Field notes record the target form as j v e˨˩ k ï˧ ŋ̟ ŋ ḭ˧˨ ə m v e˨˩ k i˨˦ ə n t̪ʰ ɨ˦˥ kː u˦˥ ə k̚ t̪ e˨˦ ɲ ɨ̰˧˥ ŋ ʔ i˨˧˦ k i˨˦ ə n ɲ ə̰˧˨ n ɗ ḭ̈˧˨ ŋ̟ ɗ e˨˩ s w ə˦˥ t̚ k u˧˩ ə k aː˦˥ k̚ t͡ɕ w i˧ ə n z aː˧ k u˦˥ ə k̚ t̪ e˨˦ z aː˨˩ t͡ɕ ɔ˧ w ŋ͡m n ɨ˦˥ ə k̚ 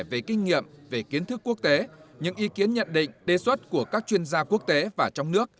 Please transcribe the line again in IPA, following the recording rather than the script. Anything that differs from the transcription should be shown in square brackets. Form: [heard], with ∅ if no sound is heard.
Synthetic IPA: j v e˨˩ k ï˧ ŋ̟ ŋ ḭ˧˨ ə m v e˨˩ k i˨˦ ə n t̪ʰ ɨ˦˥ kː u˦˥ ə k̚ t̪ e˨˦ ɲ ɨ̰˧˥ ŋ ʔ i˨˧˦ k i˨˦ ə n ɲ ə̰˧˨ n ɗ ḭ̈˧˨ ŋ̟ ɗ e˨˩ s w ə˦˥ t̚ k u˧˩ ə k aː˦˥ k̚ t͡ɕ w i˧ ə n z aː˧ k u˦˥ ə k̚ t̪ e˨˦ [v] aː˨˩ t͡ɕ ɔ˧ w ŋ͡m n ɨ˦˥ ə k̚